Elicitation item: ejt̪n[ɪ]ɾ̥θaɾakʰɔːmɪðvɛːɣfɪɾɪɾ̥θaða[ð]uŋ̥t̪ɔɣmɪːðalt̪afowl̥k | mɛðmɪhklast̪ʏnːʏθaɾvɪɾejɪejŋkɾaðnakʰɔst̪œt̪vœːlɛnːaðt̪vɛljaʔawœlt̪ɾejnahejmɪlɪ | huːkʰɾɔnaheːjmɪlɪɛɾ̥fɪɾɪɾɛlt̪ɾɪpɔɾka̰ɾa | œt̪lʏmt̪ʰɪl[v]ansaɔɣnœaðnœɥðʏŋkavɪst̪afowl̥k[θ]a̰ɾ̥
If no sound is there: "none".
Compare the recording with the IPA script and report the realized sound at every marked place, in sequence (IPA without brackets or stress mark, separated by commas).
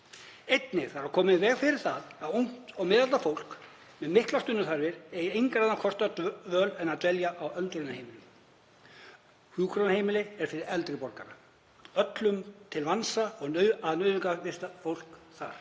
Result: ɪ, ð, v, θ